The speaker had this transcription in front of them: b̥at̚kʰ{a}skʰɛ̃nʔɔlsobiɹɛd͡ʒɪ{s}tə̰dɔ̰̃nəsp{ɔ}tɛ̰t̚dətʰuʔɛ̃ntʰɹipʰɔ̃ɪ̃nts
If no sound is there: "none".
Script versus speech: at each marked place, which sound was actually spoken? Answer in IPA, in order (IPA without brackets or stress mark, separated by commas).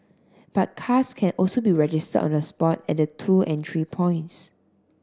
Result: a, s, ɔ